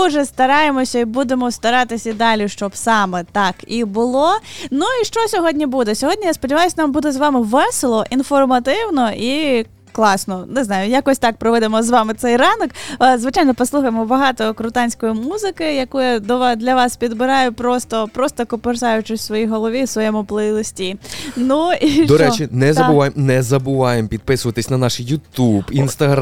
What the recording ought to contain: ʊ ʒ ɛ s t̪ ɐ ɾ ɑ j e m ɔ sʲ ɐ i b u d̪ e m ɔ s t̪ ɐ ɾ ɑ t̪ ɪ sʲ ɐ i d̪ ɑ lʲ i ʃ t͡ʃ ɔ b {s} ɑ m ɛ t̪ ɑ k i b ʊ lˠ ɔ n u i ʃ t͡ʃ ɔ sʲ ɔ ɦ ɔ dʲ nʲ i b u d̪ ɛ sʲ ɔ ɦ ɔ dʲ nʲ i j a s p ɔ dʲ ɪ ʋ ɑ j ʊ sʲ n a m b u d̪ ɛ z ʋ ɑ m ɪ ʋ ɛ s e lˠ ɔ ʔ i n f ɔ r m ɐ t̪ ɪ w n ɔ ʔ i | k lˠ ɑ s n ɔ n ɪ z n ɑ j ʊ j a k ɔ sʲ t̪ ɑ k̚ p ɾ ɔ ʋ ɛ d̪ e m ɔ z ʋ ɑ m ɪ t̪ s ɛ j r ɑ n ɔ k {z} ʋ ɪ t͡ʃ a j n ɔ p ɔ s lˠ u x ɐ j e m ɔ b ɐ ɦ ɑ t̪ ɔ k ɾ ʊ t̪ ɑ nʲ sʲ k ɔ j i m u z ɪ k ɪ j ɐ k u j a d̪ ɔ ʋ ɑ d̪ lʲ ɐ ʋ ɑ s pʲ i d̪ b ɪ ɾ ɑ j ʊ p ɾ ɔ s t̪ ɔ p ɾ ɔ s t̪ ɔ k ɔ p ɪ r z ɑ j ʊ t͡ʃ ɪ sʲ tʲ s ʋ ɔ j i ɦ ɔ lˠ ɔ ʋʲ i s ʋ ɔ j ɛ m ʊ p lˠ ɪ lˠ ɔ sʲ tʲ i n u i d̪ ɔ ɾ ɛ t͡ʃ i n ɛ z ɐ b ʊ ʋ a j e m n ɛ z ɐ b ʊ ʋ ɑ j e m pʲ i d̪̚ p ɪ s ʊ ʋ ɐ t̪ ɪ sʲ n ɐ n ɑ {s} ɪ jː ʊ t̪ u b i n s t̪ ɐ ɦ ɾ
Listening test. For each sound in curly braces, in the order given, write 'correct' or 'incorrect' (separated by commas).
correct, correct, incorrect